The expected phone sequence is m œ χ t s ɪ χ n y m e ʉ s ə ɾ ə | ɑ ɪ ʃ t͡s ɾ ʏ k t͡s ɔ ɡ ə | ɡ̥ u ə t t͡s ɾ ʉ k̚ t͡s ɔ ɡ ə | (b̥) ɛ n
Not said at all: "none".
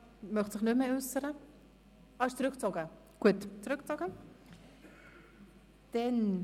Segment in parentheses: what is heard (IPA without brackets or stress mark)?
d̥